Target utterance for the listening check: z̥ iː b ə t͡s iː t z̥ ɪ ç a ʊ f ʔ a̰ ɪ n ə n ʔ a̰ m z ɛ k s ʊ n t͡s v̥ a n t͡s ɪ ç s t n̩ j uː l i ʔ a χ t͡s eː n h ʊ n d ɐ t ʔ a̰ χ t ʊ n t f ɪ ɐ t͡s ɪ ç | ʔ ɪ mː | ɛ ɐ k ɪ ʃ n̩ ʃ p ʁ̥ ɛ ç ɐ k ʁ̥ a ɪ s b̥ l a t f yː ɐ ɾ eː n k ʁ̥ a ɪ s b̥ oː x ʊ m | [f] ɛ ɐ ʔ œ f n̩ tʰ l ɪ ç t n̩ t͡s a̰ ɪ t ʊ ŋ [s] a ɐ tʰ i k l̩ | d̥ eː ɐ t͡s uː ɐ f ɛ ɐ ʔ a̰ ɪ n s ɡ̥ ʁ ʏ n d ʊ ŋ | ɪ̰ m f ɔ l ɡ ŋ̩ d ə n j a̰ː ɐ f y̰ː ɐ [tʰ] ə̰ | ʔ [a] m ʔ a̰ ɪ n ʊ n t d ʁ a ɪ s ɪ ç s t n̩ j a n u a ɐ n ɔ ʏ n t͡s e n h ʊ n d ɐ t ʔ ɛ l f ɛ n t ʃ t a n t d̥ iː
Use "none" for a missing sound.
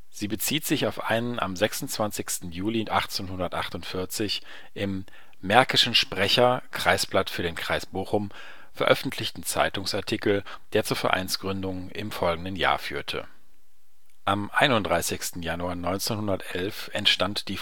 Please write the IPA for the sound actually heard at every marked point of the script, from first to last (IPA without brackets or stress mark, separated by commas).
f, s, tʰ, a